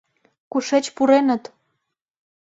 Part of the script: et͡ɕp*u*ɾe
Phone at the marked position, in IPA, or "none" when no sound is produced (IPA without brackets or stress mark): u